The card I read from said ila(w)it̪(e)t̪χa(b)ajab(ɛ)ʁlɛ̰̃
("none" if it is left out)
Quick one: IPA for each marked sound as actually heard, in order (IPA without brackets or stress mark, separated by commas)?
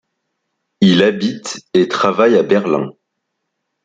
b, e, v, ɛ